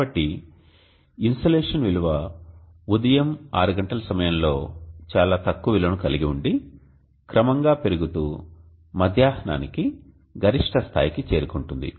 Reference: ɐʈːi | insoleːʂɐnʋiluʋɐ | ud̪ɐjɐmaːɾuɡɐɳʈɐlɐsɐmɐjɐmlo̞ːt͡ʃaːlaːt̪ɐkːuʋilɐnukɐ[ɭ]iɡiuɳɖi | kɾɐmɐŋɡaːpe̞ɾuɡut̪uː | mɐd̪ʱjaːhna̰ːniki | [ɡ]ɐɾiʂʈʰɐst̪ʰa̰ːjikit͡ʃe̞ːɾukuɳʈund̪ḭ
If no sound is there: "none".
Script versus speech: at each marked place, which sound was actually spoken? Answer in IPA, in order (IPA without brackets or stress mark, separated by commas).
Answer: l, ɡ